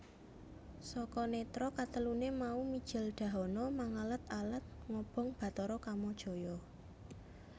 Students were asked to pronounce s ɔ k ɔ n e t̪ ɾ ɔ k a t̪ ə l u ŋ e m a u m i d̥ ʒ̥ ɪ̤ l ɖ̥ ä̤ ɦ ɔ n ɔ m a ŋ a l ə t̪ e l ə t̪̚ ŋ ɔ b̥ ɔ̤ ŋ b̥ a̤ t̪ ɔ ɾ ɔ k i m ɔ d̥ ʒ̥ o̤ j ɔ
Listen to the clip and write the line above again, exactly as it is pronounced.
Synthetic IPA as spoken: s ɔ k ɔ n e t̪ ɾ ɔ k a t̪ ə l u n e m a u m i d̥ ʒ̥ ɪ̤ l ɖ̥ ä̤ ɦ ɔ n ɔ m a ŋ a l ə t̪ a l ə t̪̚ ŋ ɔ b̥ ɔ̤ ŋ b̥ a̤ t̪ ɔ ɾ ɔ k a m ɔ d̥ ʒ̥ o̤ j ɔ